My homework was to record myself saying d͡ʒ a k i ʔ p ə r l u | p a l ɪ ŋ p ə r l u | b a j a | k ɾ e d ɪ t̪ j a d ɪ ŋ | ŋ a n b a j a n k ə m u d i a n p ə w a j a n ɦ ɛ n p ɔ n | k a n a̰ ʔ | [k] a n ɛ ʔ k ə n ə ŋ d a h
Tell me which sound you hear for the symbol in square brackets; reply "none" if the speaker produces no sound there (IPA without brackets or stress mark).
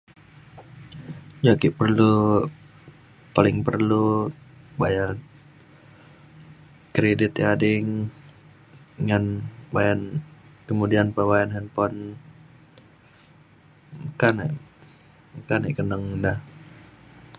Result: k